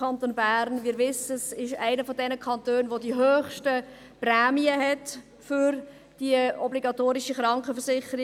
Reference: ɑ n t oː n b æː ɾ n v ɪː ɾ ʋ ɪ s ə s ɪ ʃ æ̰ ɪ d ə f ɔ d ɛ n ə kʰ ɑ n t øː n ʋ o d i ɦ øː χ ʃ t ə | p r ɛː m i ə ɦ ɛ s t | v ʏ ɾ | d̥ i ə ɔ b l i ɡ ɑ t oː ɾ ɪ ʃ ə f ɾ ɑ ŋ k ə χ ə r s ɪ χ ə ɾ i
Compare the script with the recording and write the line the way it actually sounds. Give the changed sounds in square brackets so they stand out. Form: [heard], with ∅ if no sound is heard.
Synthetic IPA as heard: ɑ n t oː n b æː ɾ n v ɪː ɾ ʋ ɪ s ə s ɪ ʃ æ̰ ɪ [n] ə f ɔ d ɛ n ə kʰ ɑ n t øː n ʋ o d i ɦ øː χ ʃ t ə | p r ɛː m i ə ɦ ɛ [∅] t | [f] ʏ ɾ | d̥ i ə ɔ b l i ɡ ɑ t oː ɾ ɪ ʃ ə [χ] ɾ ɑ ŋ k ə [f] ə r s ɪ χ ə ɾ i